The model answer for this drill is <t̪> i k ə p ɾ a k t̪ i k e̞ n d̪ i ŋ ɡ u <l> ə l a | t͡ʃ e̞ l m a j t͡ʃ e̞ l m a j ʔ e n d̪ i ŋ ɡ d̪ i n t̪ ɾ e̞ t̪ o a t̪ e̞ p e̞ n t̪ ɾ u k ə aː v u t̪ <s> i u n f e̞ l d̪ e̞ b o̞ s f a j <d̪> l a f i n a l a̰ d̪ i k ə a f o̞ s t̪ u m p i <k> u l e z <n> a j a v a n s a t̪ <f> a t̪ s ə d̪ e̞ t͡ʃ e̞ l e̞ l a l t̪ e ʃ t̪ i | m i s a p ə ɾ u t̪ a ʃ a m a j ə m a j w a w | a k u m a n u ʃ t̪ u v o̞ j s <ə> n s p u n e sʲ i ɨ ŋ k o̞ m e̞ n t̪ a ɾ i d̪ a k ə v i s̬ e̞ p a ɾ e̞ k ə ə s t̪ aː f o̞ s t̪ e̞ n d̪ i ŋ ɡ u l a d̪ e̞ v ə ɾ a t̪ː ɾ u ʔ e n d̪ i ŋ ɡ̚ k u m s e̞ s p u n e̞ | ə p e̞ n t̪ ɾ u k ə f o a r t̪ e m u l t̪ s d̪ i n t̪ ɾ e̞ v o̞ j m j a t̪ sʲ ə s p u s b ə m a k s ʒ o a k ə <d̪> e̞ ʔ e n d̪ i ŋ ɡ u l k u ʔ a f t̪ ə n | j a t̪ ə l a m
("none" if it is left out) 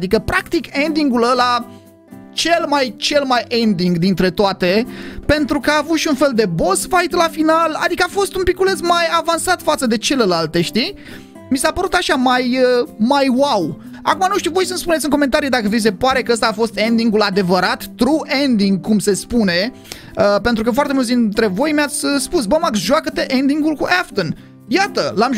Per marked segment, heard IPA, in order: d̪, l, ʃ, t̪, k, m, f, ə, t̪

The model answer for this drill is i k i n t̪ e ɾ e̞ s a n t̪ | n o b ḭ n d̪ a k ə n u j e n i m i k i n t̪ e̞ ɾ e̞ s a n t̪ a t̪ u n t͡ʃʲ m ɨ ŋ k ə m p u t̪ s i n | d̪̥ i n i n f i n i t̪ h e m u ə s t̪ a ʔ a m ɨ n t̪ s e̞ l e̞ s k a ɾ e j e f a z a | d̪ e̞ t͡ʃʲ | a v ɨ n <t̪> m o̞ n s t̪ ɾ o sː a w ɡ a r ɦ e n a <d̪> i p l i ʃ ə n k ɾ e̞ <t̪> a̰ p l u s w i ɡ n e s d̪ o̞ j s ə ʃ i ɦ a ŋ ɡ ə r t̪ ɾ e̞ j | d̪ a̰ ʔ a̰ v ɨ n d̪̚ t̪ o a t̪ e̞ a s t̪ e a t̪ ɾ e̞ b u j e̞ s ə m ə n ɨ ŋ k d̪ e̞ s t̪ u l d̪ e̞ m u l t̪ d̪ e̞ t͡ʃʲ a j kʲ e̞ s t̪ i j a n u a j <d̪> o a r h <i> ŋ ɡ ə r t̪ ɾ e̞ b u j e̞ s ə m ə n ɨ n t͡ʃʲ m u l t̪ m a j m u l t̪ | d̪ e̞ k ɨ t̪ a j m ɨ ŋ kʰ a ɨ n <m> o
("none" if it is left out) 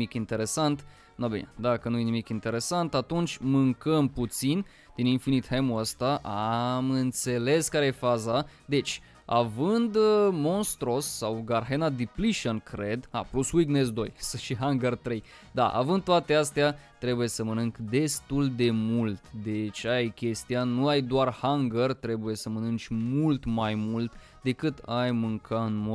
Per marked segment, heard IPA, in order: d̪, d̪, d̪, d̪, a, m

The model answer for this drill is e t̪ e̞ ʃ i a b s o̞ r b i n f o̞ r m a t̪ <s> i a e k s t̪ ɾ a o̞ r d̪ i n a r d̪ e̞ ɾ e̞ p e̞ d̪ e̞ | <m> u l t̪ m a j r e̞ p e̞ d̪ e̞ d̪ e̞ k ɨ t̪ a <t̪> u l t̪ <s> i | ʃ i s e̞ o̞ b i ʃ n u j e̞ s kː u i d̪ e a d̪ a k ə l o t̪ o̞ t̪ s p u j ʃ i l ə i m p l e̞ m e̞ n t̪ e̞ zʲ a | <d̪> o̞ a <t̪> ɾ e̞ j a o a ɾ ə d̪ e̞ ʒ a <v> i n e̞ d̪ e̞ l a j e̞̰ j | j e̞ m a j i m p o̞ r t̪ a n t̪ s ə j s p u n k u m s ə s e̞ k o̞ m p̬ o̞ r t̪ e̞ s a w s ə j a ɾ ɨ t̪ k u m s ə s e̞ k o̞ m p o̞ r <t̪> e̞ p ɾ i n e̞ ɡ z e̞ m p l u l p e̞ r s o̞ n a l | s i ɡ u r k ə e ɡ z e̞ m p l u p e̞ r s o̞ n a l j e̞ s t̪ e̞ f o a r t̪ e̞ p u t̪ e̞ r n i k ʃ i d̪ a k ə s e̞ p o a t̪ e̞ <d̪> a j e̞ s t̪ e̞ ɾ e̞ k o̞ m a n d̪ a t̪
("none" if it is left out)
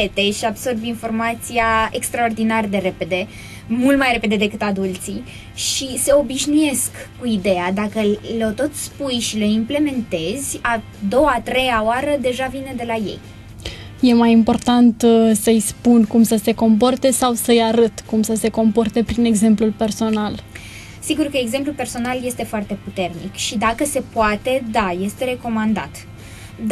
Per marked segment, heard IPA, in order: s, m, d̪, s, d̪, t̪, v, t̪, d̪

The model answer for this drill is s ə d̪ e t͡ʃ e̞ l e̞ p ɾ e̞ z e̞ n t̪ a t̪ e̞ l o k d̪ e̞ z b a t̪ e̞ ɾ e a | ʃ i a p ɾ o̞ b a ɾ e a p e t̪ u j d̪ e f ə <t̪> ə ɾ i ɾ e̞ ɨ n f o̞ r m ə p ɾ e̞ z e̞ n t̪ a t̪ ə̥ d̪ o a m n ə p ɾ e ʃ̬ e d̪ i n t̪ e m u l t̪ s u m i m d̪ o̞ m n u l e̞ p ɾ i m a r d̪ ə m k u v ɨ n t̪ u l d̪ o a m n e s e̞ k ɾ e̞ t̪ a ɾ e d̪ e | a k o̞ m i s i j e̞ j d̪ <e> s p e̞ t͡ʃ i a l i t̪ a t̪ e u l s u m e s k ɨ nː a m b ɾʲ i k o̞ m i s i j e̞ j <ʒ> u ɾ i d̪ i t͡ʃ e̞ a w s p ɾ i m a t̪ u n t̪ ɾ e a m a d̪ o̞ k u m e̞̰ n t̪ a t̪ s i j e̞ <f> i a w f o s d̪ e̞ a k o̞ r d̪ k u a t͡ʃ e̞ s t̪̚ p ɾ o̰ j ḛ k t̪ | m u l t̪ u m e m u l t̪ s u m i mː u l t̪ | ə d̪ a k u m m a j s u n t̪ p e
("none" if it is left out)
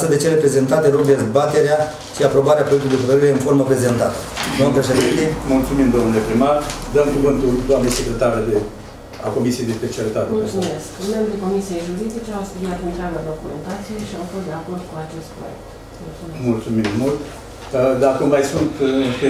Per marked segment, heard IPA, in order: t̪, e, ʒ, ʃ

